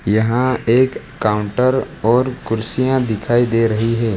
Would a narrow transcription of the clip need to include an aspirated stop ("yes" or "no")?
yes